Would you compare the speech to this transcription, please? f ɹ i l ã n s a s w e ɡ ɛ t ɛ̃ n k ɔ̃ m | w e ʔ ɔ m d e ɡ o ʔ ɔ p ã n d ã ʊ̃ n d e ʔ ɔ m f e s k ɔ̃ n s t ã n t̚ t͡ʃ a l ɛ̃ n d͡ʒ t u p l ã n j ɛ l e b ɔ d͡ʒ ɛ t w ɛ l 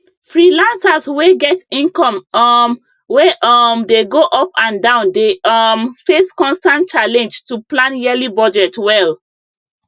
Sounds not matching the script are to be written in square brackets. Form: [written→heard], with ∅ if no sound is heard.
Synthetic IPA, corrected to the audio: f ɹ i l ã n s a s w e ɡ ɛ t [ɛ̃→ĩ] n k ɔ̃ m | w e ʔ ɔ m d e ɡ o ʔ ɔ p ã n d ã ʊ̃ n d e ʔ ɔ m f e s k ɔ̃ n s t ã n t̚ t͡ʃ a l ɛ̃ n d͡ʒ t u p l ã n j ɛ l [e→i] b ɔ d͡ʒ ɛ t w ɛ l